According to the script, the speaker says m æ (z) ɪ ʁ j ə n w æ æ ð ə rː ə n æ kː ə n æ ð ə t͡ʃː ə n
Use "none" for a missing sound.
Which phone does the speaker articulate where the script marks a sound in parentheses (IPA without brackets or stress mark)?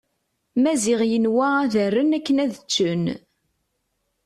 z